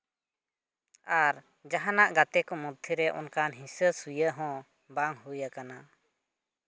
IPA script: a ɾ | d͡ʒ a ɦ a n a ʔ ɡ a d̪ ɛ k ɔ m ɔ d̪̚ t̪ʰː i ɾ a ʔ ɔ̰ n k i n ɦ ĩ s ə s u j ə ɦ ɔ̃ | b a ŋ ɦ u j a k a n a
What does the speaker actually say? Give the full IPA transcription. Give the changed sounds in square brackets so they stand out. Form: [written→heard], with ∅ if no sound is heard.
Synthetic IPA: a ɾ | d͡ʒ a ɦ a n a ʔ ɡ a [d̪→t̪] ɛ k ɔ m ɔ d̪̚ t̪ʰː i ɾ [a→ɛ] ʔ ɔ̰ n k [i→a] n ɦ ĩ s ə s u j ə ɦ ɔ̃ | b a ŋ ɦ u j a k a n a

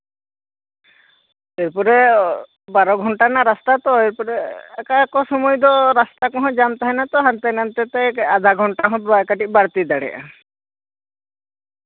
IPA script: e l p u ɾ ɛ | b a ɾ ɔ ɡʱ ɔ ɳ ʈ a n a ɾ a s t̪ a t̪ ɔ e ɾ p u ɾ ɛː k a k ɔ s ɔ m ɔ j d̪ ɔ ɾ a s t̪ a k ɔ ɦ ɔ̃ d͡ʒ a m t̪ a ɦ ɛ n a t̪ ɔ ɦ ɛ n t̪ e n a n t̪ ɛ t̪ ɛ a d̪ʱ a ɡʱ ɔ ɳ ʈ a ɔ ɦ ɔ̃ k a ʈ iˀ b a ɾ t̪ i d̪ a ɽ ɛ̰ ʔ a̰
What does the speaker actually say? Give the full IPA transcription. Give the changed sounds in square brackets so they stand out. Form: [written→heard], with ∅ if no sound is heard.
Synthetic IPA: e [l→ɾ] p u ɾ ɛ | b a ɾ ɔ ɡʱ ɔ ɳ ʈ a n a ɾ a s t̪ a t̪ ɔ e ɾ p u ɾ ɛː k a k ɔ s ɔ m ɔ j d̪ ɔ ɾ a s t̪ a k ɔ ɦ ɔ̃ d͡ʒ a m t̪ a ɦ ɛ n a t̪ ɔ ɦ [ɛ→a] n t̪ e n a n t̪ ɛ t̪ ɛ a d̪ʱ a ɡʱ ɔ ɳ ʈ a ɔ ɦ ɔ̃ k a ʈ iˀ b a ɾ t̪ i d̪ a ɽ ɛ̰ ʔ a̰

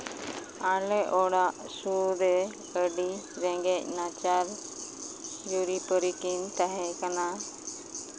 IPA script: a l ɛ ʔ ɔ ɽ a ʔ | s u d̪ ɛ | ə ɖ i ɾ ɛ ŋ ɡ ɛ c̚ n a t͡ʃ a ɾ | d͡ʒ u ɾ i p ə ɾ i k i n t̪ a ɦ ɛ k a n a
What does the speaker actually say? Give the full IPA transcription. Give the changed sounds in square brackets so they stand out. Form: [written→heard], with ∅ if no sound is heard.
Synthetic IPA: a l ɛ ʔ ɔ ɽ a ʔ | s u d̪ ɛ | ə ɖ i ɾ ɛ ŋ ɡ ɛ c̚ n a t͡ʃ a ɾ | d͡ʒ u ɾ i p ə ɾ i k i n t̪ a ɦ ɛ k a n a

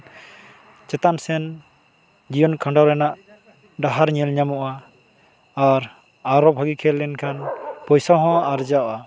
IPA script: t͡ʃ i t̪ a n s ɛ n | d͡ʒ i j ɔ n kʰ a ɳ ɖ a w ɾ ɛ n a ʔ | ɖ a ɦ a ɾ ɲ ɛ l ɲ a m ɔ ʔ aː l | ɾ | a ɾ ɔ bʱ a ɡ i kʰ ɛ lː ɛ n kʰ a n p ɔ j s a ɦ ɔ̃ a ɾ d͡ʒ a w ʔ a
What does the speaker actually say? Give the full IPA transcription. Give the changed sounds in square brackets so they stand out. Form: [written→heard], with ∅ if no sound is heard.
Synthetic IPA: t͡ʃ [i→ɛ] t̪ a n s ɛ n | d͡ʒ i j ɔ n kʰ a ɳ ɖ a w ɾ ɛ n a ʔ | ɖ a ɦ a ɾ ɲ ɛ l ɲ a m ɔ ʔ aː [l→∅] | ɾ | a ɾ ɔ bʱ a ɡ i kʰ ɛ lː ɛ n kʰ a n p ɔ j s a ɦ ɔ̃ a ɾ d͡ʒ a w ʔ a

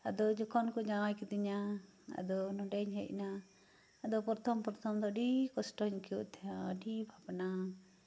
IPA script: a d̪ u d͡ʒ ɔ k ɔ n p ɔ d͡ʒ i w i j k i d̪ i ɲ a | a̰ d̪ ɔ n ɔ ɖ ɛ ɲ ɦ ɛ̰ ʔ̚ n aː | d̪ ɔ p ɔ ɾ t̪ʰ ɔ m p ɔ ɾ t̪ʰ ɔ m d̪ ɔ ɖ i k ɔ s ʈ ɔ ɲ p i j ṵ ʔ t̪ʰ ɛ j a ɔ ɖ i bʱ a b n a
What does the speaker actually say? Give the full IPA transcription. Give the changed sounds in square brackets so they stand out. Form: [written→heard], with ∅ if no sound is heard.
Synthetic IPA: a d̪ [u→ɔ] d͡ʒ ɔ k ɔ n [p→k] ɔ d͡ʒ [i→a] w [i→a] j k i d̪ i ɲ a | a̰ d̪ ɔ n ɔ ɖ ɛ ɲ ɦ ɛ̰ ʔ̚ n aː | d̪ ɔ p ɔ ɾ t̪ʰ ɔ m p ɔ ɾ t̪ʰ ɔ m d̪ ɔ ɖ i k ɔ s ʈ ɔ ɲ [p→k] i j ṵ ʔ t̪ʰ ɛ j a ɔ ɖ i bʱ a b n a

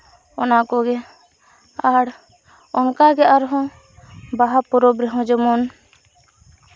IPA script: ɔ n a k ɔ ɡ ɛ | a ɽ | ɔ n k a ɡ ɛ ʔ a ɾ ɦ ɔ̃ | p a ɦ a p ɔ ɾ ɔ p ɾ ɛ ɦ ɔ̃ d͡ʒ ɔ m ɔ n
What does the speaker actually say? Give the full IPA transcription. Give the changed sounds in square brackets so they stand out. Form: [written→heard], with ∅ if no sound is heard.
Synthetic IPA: ɔ n a k ɔ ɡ ɛ | a ɽ | ɔ n k a ɡ ɛ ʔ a ɾ ɦ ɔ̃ | [p→b] a ɦ a p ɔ ɾ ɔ [p→b] ɾ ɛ ɦ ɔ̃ d͡ʒ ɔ m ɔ n

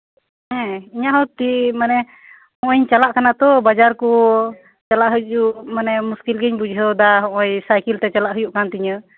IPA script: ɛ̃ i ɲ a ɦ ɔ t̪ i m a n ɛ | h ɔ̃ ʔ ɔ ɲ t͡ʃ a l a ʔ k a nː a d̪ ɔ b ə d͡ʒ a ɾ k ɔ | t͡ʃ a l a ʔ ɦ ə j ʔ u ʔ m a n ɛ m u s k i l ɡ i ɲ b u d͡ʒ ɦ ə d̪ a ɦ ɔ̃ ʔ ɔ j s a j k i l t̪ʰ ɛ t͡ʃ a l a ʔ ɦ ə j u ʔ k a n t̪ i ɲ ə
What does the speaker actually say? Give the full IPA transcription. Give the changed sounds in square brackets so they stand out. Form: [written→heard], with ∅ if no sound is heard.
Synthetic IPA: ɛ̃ i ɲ a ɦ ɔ t̪ i m a n ɛ | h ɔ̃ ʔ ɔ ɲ t͡ʃ a l a ʔ k a [nː→n] a [d̪→t̪] ɔ b [ə→a] d͡ʒ a ɾ k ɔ | t͡ʃ a l a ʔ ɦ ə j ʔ u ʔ m a n ɛ m u s k i l ɡ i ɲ b u d͡ʒ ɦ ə d̪ a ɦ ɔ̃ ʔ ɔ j s a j k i l [t̪ʰ→t̪] ɛ t͡ʃ a l a ʔ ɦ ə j u ʔ k a n t̪ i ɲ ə

